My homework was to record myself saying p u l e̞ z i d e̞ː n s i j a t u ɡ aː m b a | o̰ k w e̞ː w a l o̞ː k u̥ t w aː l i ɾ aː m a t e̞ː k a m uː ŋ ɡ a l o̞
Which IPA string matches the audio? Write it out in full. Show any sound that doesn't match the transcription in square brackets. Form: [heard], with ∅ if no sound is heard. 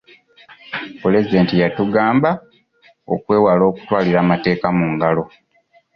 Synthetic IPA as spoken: p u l e̞ z i d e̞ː n [t] i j a t u ɡ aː m b a | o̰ k w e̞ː w a l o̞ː k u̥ t w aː l i ɾ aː m a t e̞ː k a m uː ŋ ɡ a l o̞